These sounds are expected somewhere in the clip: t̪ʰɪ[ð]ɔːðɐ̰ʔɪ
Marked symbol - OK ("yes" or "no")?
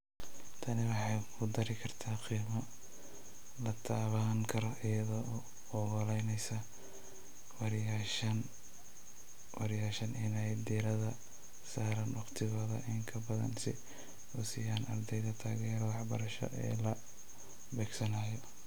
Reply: no